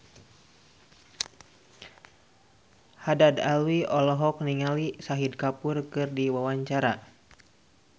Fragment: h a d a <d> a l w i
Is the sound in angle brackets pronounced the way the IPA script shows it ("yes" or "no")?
yes